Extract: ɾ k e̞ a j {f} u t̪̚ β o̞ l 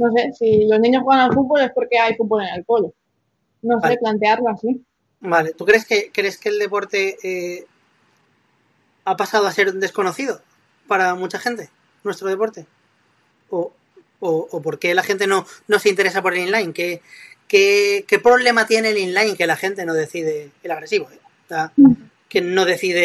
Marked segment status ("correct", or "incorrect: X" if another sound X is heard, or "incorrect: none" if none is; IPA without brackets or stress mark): correct